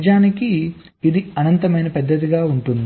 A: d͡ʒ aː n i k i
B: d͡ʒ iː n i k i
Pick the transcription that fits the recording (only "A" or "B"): A